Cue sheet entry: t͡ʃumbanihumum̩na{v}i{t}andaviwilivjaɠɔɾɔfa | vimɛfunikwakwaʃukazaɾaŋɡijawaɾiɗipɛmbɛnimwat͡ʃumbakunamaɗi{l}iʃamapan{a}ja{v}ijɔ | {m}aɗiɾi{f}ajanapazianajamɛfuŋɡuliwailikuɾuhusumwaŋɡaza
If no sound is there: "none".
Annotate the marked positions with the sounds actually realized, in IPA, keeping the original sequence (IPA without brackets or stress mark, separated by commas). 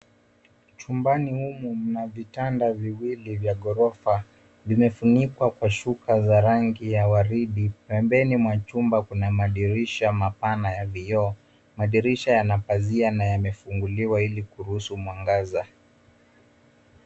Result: v, t, ɾ, a, v, m, ʃ